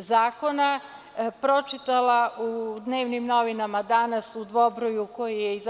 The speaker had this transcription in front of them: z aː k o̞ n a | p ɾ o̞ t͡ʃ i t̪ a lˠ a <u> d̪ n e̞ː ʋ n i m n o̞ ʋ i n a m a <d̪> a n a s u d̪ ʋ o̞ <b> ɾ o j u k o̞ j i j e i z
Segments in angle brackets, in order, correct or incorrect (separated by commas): correct, correct, correct